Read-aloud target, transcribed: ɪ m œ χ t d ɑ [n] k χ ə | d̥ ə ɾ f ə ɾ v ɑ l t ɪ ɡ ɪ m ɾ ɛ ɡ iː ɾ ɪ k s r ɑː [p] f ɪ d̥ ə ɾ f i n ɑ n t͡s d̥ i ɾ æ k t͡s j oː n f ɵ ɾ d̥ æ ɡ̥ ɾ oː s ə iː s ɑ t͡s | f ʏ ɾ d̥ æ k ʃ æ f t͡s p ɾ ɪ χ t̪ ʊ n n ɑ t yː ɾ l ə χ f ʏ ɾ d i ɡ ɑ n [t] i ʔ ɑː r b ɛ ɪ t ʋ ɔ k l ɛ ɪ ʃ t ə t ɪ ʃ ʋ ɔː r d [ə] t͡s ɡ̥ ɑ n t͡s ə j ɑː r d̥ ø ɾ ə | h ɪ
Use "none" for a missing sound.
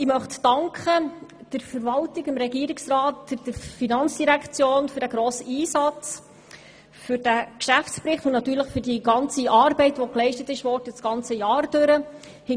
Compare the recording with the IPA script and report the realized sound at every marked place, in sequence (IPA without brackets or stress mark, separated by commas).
ŋ, t, t͡s, ə